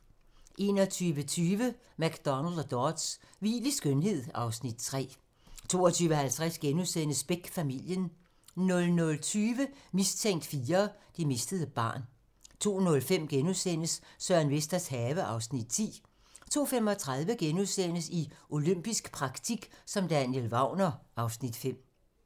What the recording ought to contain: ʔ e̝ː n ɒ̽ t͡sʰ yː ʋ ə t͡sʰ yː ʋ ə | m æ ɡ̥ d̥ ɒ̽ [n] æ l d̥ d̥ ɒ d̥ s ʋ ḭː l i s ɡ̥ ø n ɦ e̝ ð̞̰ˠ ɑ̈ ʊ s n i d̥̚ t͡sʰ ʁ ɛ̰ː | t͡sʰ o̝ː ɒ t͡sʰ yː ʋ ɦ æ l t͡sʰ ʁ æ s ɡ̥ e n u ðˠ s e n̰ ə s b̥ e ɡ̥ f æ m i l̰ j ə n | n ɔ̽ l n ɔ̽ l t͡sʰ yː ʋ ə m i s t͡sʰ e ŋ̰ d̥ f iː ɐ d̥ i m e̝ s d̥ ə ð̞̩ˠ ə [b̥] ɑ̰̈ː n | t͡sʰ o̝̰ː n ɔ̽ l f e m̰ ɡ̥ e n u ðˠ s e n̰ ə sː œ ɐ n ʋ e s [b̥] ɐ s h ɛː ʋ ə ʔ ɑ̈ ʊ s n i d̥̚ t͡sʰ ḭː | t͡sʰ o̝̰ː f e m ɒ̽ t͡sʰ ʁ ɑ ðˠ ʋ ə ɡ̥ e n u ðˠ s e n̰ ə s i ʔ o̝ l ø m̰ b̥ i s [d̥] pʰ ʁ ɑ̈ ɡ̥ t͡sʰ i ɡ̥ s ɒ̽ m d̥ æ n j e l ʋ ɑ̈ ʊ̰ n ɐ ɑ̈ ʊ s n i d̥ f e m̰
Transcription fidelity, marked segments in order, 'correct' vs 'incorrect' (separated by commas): correct, correct, incorrect, incorrect